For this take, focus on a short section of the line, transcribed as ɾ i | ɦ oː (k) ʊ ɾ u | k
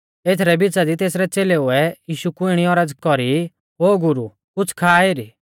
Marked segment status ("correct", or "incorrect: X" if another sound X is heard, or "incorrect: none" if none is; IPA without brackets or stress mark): incorrect: ɡ